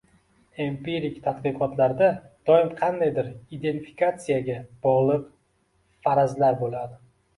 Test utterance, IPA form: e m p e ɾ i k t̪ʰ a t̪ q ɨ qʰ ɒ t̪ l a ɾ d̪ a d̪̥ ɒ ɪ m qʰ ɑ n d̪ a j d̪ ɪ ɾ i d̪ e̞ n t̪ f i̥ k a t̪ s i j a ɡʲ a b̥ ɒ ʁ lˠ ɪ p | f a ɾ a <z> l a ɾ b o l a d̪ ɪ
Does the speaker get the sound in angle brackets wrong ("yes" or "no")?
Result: no